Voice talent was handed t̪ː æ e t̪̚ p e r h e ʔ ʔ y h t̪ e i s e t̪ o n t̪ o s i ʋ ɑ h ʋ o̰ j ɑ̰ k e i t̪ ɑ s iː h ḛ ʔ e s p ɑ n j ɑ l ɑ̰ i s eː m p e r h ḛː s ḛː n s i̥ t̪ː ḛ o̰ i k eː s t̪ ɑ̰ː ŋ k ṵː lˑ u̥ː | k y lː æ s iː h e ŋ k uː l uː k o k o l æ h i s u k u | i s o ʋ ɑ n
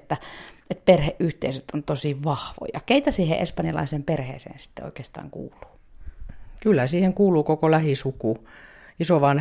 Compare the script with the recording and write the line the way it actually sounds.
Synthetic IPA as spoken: t̪ː æ e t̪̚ p e r h e ʔ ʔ y h t̪ e i s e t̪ o n t̪ o s i ʋ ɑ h ʋ o̰ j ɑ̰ k e i t̪ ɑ s iː h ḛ ʔ e s p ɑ n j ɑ l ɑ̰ i s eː m p e r h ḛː s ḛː n s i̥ t̪ː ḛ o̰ i k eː s t̪ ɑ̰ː ŋ k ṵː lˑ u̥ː | k y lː æ s iː h e ŋ k uː l uː k o k o l æ h i s u k u | i s o ʋ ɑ n